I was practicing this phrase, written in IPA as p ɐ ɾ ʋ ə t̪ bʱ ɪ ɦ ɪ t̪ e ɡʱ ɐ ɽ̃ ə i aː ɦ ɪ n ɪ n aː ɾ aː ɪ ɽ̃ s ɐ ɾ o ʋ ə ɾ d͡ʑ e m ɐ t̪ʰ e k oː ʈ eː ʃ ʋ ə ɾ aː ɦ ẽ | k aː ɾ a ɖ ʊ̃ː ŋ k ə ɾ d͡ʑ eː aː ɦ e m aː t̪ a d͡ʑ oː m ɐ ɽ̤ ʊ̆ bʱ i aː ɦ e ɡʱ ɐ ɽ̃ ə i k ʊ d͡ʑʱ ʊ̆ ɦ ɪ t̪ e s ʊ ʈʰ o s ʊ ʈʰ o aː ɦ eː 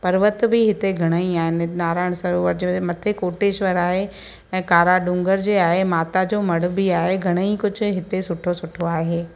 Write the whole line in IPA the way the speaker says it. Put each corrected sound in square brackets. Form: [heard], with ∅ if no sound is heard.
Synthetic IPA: p ɐ ɾ ʋ ə t̪ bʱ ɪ ɦ ɪ t̪ e ɡʱ ɐ ɽ̃ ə i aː ɦ ɪ n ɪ n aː ɾ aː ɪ ɽ̃ s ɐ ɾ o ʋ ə ɾ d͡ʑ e m ɐ t̪ʰ e k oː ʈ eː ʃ ʋ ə ɾ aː ɦ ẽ | k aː ɾ a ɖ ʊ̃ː ŋ [ɡ] ə ɾ d͡ʑ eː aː ɦ e m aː t̪ a d͡ʑ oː m ɐ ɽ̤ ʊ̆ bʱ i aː ɦ e ɡʱ ɐ ɽ̃ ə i k ʊ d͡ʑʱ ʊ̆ ɦ ɪ t̪ e s ʊ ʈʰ o s ʊ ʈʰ o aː ɦ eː